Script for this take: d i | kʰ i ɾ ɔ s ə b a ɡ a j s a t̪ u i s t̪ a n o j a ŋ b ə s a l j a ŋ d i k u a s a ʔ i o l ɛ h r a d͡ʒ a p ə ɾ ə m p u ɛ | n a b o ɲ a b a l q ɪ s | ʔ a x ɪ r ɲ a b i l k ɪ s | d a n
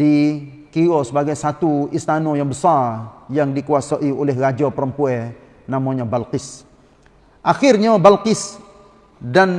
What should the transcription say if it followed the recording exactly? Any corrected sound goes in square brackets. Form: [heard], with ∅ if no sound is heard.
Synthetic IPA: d i | [k] i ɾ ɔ s ə b a ɡ a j s a t̪ u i s t̪ a n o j a ŋ b ə s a [r] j a ŋ d i k u a s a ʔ i o l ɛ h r a d͡ʒ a p ə ɾ ə m p u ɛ | n a [m] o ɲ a b a l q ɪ s | ʔ a x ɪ r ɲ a b [a] l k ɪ s | d a n

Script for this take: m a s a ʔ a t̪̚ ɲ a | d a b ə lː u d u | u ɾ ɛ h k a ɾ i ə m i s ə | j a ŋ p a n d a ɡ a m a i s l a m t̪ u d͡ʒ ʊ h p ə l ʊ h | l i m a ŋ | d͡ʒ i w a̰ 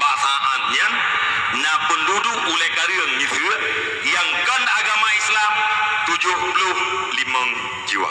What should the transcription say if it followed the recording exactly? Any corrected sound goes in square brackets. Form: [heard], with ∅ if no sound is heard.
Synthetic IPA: [b] a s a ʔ a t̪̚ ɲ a | [n] a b ə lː u d u | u [l] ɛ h k a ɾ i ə [ŋ] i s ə | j a ŋ [k] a n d a ɡ a m a i s l a m t̪ u d͡ʒ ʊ h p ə l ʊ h | l i m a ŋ | d͡ʒ i w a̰

